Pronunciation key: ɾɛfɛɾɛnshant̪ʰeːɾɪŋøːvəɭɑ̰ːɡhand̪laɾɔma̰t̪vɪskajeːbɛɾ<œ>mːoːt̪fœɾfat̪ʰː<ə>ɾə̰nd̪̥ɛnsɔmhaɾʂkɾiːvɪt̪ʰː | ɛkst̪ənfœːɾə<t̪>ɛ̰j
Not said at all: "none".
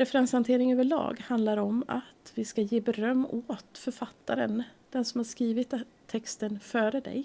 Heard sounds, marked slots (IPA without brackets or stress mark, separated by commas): œ, a, d̪